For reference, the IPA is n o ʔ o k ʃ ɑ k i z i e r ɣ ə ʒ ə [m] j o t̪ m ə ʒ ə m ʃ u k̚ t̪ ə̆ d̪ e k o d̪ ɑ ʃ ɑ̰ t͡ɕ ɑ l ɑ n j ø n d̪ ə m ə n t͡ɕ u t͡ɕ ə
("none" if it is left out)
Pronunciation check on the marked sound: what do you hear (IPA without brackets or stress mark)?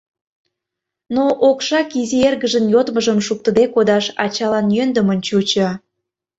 n